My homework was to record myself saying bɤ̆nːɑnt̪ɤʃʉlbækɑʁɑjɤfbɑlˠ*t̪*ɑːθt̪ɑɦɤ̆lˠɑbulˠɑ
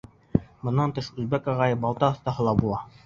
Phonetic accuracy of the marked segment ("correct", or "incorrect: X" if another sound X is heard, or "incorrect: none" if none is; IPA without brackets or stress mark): correct